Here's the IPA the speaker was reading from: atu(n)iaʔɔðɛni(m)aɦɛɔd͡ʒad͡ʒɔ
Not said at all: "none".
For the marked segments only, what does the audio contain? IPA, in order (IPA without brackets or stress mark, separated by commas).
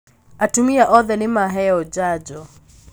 m, m